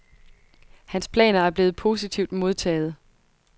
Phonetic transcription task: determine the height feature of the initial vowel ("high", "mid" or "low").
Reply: low